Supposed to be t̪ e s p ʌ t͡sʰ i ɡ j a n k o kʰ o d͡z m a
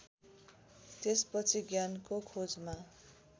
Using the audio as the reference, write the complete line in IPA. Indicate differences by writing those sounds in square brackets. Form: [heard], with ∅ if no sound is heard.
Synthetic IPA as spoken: t̪ e s p ʌ t͡sʰ i ɡ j a n k o kʰ o d͡z m a

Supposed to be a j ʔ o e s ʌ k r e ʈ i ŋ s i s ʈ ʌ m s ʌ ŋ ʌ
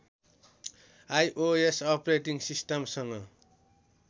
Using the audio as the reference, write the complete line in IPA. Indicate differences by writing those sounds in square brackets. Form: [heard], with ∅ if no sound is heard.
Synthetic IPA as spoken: a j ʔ o e s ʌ [p] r e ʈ i ŋ s i s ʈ ʌ m s ʌ ŋ ʌ

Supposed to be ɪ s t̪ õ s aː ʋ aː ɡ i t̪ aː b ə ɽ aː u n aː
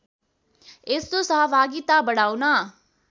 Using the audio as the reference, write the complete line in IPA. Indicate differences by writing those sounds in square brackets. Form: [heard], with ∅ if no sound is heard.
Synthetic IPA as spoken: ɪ s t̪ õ s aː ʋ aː ɡ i t̪ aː b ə ɽ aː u n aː

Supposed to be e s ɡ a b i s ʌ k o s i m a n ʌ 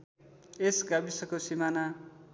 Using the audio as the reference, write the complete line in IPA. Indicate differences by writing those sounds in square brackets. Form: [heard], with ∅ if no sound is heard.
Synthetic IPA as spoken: e s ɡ a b i s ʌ k o s i m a n [a]

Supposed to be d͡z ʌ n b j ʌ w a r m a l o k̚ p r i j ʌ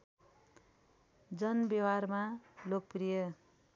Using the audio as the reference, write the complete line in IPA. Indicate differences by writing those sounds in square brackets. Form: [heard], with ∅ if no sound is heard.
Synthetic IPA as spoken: d͡z ʌ n b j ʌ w a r m a l o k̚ p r i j ʌ

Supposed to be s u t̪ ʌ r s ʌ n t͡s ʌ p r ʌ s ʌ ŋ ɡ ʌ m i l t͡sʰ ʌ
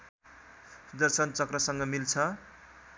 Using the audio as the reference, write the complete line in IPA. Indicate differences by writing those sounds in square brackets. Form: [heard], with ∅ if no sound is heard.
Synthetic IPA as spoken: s u [d̪] ʌ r s ʌ n t͡s ʌ [k] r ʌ s ʌ ŋ ɡ ʌ m i l t͡sʰ ʌ

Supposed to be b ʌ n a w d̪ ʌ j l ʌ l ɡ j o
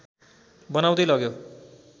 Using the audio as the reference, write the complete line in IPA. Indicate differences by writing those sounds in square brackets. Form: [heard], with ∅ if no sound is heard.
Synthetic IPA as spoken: b ʌ n a w d̪ ʌ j l ʌ [∅] ɡ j o

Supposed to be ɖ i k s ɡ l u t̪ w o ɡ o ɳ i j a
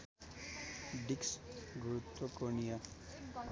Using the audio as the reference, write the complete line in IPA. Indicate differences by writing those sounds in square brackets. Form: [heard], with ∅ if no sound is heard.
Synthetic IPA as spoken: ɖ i k s ɡ [ɾ] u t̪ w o [k] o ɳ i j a

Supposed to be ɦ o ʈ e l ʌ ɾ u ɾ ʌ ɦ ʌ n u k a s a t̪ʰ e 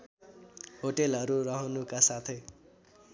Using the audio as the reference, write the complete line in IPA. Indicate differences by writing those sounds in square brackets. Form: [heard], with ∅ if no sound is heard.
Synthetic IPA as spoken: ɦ o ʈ e l ʌ ɾ u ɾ ʌ ɦ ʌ n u k a s a t̪ʰ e

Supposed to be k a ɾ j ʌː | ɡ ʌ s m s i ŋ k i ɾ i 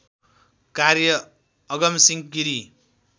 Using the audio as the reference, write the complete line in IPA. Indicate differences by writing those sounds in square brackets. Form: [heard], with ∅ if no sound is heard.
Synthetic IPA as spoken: k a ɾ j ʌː | ɡ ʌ [∅] m s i ŋ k i ɾ i

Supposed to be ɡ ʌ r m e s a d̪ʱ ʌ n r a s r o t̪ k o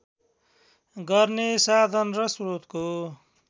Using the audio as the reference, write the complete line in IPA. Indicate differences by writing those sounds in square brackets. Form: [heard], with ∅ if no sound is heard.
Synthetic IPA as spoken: ɡ ʌ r [n] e s a d̪ʱ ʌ n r [ʌ] s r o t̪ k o

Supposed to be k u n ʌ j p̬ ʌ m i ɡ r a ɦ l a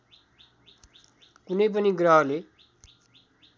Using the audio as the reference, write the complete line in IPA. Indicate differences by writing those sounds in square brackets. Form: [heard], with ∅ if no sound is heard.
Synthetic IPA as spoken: k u n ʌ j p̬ ʌ [n] i ɡ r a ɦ l [e]

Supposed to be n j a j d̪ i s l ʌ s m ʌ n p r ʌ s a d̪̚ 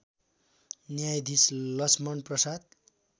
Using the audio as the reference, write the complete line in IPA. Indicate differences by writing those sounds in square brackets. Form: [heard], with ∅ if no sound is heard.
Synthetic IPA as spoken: n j a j d̪ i s l ʌ s m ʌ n p r ʌ s a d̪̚

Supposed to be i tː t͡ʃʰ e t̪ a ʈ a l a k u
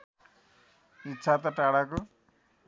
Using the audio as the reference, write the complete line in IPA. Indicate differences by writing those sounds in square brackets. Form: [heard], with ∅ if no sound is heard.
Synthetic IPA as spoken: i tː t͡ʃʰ [a] t̪ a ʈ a [ɽ] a k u

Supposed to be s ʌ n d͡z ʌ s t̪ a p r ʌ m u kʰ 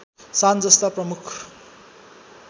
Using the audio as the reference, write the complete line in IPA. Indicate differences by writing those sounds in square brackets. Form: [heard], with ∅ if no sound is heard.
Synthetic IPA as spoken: s [a] n d͡z ʌ s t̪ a p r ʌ m u kʰ

